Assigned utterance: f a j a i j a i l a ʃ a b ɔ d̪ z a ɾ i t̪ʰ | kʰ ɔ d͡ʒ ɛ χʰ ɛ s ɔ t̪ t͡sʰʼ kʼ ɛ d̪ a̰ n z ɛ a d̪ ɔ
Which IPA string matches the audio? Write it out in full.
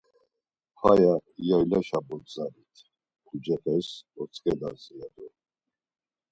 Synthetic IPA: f a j a i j a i l a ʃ a b ɔ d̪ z a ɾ i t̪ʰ | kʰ u d͡ʒ ɛ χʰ ɛ s ɔ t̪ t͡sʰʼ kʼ ɛ d̪ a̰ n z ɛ a d̪ ɔ